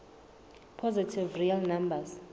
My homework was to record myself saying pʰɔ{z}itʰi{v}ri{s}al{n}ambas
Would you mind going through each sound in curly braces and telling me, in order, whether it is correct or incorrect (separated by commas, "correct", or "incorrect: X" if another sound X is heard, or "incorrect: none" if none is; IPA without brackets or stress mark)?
correct, correct, incorrect: none, correct